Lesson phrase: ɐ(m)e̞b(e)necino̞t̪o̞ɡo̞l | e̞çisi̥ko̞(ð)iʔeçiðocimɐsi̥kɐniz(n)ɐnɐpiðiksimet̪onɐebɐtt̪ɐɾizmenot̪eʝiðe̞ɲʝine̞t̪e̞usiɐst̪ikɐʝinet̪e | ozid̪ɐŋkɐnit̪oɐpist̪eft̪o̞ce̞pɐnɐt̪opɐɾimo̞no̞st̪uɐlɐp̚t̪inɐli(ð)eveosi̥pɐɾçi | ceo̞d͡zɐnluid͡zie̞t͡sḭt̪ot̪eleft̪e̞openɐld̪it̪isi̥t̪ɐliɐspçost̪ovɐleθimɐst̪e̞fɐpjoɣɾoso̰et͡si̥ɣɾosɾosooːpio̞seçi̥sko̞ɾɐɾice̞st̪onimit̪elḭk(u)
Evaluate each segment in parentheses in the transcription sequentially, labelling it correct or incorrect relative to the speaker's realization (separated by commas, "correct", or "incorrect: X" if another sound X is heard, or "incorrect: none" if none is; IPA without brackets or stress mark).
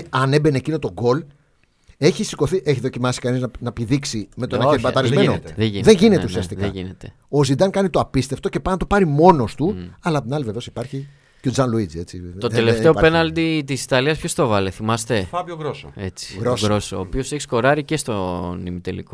incorrect: n, correct, incorrect: θ, correct, incorrect: v, incorrect: o